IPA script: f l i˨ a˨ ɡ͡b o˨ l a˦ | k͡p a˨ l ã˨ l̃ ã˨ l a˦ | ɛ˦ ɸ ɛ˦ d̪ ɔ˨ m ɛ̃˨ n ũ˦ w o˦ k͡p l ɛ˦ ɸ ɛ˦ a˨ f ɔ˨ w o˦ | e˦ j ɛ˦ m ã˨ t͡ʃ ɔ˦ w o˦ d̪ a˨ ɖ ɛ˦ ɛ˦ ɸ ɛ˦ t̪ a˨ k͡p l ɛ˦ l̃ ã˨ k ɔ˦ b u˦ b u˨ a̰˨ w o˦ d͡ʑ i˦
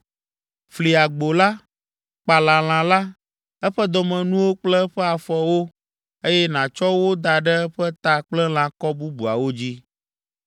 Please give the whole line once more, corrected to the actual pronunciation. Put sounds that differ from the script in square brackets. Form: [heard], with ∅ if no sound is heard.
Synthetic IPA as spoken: f l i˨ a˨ ɡ͡b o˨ l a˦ | k͡p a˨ l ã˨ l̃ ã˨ l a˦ | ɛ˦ ɸ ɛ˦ d̪ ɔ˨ m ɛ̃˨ n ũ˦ w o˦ k͡p l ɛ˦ ɸ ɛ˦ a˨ f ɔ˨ w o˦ | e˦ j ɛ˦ [n] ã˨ t͡ʃ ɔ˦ w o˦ d̪ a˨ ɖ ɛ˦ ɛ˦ ɸ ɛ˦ t̪ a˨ k͡p l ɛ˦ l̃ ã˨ k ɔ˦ b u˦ b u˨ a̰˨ w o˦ d͡ʑ i˦